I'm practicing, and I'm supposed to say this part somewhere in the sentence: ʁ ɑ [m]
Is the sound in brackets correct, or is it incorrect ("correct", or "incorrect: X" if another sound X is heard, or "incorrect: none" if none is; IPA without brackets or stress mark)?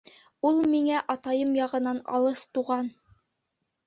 incorrect: n